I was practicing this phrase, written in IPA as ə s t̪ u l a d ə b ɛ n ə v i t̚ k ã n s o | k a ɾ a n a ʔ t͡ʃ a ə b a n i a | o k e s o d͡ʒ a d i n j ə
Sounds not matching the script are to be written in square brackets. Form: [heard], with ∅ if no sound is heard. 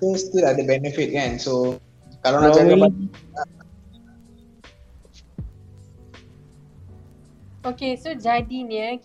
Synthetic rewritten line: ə s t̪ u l a d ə b ɛ n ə [f] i t̚ k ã n s o | k a [l] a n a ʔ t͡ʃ a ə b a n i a | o k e s o d͡ʒ a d i n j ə